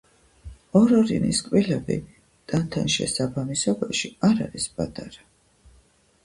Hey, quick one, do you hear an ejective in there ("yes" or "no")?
yes